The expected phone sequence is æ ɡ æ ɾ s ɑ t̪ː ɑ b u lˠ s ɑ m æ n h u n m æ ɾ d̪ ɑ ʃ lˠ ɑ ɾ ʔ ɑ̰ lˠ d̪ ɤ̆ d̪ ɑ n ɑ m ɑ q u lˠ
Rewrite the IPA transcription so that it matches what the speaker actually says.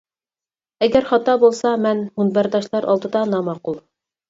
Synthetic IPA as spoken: æ ɡ æ ɾ χ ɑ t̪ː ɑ b u lˠ s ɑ m æ n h u n b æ ɾ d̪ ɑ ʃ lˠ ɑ ɾ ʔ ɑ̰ lˠ d̪ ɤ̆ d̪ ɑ n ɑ m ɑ q u lˠ